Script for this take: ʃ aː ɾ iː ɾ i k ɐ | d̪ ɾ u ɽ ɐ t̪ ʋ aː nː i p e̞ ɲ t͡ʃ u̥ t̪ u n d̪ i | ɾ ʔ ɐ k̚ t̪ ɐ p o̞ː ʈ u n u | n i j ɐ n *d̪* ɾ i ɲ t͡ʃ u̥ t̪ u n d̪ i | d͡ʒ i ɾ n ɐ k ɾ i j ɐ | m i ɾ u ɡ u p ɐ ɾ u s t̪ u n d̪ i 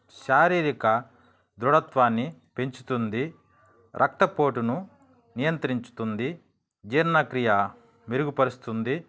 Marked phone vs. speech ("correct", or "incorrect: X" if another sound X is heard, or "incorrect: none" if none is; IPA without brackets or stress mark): incorrect: t̪